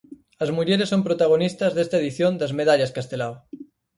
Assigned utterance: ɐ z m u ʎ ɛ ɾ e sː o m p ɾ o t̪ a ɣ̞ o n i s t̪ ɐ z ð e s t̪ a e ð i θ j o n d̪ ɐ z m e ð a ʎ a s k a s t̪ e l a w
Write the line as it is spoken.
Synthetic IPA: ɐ z m u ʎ e ɾ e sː o m p ɾ o t̪ a ɣ̞ o n i s t̪ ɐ z ð e s t̪ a e ð i θ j o n d̪ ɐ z m e ð a ʎ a s k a s t̪ e l a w